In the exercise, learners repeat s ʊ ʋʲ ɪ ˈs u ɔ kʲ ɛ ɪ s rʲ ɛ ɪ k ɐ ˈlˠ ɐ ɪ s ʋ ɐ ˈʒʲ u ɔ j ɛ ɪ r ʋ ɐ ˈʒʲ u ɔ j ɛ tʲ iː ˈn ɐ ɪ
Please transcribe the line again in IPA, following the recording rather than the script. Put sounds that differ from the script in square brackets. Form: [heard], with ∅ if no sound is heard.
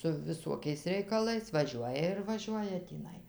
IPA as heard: s ʊ ʋʲ ɪ ˈs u ɔ kʲ ɛ ɪ s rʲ ɛ ɪ k ɐ ˈlˠ ɐ ɪ s ʋ ɐ ˈʒʲ u ɔ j ɛ ɪ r ʋ ɐ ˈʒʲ u ɔ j ɛ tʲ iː ˈn ɐ ɪ